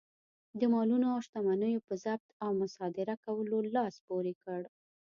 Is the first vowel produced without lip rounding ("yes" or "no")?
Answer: yes